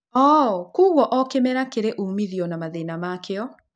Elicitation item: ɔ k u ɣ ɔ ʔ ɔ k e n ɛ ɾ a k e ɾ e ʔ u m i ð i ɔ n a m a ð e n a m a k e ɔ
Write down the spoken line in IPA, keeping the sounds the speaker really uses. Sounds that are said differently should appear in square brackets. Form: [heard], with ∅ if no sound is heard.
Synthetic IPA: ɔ k u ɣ ɔ ʔ ɔ k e [m] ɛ ɾ a k e ɾ e ʔ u m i ð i ɔ n a m a ð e n a m a k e ɔ